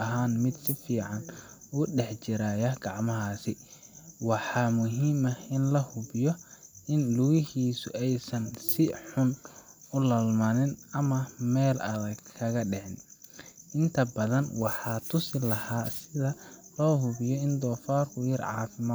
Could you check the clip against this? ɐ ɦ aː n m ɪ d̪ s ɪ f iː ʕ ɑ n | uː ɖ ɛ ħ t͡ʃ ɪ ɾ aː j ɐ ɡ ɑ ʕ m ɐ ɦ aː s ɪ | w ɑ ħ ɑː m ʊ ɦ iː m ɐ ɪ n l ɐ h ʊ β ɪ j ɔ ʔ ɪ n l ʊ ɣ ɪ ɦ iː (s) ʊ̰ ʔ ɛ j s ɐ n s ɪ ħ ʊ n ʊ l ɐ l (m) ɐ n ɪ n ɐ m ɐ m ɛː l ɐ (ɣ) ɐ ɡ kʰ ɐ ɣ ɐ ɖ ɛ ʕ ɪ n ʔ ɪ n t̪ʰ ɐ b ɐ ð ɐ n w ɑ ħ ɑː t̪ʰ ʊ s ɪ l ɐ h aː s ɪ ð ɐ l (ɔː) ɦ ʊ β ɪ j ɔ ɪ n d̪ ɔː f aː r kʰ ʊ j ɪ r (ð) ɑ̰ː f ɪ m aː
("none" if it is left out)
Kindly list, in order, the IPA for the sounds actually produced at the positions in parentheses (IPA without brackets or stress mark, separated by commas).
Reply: s, m, ð, ɔː, ʕ